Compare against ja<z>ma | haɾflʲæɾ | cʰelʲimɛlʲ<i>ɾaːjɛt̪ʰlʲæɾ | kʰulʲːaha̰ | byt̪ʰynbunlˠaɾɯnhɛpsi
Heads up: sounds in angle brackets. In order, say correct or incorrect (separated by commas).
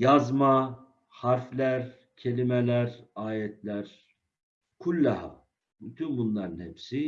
correct, incorrect